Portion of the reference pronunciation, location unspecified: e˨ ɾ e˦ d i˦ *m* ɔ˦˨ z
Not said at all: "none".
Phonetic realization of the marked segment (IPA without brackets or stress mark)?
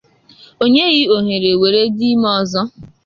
m